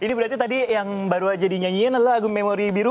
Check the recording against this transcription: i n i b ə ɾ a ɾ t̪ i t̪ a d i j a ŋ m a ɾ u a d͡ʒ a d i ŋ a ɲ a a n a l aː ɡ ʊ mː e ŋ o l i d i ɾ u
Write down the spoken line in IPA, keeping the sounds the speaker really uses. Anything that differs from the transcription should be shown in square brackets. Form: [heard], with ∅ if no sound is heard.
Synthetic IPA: i n i b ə ɾ a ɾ t̪ i t̪ a d i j a ŋ [b] a ɾ u a d͡ʒ a d i [ɲ] a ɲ [i] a n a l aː ɡ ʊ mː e [m] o [ɾ] i [b] i ɾ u